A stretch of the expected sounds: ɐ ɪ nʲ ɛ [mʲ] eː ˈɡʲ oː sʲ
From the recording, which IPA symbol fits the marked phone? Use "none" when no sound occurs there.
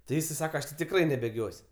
bʲ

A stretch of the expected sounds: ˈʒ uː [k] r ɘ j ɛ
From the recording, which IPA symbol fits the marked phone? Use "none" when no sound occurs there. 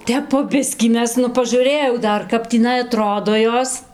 none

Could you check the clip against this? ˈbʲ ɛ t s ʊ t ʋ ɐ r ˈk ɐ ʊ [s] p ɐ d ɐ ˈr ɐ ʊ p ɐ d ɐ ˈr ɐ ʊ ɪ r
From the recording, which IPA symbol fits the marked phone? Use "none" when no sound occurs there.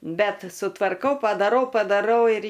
none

